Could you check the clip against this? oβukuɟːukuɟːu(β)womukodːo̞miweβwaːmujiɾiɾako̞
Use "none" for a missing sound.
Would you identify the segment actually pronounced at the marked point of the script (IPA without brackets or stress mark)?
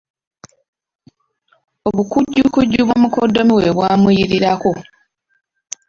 β